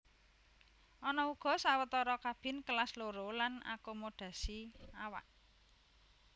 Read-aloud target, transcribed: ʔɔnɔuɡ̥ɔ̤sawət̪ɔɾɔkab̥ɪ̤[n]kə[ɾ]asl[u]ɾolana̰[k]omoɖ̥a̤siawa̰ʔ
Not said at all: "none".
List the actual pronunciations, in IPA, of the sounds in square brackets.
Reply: n, l, o, k

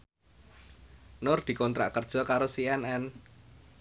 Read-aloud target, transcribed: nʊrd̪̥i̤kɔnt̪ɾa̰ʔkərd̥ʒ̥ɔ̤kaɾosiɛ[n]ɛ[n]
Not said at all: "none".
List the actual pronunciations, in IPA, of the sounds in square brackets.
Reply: n, n

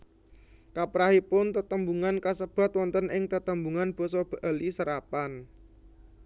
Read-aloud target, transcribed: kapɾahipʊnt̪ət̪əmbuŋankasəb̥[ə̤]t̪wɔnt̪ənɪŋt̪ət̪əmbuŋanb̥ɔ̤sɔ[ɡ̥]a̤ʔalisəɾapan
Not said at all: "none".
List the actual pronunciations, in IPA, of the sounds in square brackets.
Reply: a̤, b̥

